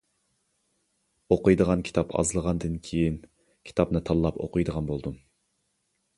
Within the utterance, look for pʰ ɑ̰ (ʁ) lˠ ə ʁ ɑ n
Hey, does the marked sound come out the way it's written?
no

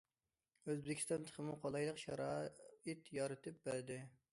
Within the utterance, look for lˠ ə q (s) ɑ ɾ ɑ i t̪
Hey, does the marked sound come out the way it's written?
no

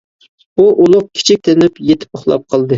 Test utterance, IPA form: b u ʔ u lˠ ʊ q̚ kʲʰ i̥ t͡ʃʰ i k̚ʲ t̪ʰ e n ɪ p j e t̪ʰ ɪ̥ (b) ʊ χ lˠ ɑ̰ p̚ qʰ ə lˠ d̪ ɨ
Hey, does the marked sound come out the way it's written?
no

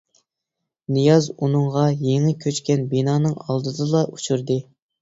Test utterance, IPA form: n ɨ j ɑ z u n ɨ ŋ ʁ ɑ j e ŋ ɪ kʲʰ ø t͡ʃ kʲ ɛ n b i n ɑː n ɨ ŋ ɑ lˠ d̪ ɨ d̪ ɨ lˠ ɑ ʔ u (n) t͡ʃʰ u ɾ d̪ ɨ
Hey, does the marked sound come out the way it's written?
no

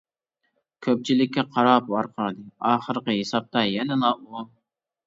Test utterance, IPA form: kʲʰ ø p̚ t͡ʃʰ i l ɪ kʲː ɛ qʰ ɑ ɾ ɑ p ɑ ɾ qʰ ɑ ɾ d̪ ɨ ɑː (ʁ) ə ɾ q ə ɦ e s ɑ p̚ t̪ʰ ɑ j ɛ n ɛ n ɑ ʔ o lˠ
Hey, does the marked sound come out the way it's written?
no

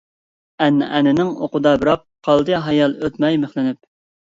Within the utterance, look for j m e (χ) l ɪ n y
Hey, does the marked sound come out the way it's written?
yes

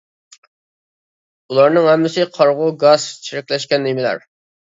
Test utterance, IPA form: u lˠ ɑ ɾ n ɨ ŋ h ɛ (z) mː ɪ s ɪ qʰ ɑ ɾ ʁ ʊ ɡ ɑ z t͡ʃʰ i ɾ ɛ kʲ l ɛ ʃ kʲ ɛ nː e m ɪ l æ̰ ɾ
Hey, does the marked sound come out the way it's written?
no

